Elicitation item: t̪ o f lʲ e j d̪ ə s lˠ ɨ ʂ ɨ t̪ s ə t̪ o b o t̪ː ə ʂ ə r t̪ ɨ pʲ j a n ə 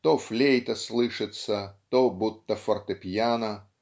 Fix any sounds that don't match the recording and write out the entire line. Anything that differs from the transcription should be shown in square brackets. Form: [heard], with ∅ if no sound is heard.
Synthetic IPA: t̪ o f lʲ e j [t̪] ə s lˠ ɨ ʂ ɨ t̪ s ə t̪ o b [u] t̪ː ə [f] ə r t̪ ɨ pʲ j a n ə

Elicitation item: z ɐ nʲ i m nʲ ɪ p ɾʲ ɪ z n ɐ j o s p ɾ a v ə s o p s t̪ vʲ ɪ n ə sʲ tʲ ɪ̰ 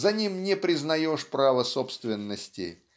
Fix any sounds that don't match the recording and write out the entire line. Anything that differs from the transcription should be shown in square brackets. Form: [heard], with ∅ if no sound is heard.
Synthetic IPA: z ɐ nʲ i m nʲ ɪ p ɾʲ ɪ z n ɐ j o [ʂ] p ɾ a v ə s o p s t̪ vʲ ɪ [nː] ə sʲ tʲ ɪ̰

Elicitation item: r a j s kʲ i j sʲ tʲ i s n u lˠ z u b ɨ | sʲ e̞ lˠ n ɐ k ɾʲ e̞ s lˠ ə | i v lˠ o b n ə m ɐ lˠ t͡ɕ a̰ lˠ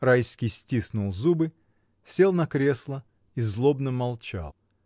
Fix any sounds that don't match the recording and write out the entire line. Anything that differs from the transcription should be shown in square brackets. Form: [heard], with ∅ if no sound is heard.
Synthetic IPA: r a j s kʲ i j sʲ tʲ i s n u lˠ z u b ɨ | sʲ e̞ lˠ n ɐ k ɾʲ e̞ s lˠ ə | i [z] lˠ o b n ə m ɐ lˠ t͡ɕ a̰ lˠ

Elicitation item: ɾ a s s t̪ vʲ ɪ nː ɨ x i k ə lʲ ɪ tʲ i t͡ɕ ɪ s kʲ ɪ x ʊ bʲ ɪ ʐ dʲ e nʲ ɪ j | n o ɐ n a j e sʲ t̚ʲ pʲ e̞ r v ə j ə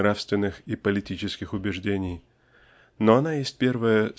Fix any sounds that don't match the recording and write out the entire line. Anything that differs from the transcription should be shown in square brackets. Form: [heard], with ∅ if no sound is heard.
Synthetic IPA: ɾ a [f] s t̪ vʲ ɪ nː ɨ x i [p] ə lʲ ɪ tʲ i t͡ɕ ɪ s kʲ ɪ x ʊ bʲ ɪ ʐ dʲ e nʲ ɪ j | n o ɐ n a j e sʲ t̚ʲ pʲ e̞ r v ə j ə

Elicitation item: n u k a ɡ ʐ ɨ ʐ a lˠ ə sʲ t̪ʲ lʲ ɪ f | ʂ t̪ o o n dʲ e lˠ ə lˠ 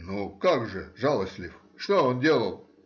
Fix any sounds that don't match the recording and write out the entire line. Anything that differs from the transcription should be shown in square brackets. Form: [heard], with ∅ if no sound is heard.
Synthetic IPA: n u k a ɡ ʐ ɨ ʐ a lˠ ə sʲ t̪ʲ lʲ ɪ f | ʂ t̪ o o n dʲ e lˠ ə lˠ

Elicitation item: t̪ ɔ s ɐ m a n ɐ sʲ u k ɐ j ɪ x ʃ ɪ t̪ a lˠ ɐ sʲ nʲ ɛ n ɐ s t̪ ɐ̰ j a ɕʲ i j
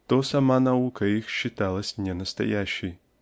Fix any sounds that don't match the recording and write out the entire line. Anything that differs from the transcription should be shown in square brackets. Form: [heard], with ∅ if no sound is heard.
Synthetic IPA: t̪ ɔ s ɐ m a n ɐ [∅] u k ɐ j [i] x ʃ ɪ t̪ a lˠ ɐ sʲ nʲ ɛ n ɐ s t̪ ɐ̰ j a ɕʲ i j

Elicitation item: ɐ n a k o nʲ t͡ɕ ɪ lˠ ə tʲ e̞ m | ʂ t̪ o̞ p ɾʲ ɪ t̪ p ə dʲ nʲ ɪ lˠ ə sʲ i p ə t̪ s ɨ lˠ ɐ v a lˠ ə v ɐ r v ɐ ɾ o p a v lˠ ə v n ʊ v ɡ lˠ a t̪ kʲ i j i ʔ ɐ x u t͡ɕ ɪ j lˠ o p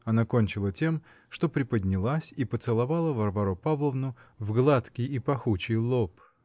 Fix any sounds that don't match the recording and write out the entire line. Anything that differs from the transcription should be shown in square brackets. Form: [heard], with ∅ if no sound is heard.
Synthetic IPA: ɐ n a k o nʲ t͡ɕ ɪ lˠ ə tʲ e̞ m | ʂ t̪ o̞ p ɾʲ ɪ [∅] p ə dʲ nʲ ɪ lˠ [a] sʲ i p ə t̪ s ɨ lˠ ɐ v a lˠ ə v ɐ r v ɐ ɾ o p a v lˠ ə v n ʊ v ɡ lˠ a t̪ kʲ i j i [p] ɐ x u t͡ɕ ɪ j lˠ o p

